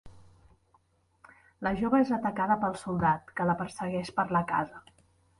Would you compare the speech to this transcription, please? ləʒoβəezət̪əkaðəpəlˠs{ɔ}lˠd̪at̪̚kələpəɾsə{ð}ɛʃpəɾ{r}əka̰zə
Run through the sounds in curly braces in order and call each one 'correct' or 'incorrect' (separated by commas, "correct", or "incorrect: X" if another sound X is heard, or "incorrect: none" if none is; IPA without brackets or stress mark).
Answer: incorrect: u, incorrect: ɣ, incorrect: l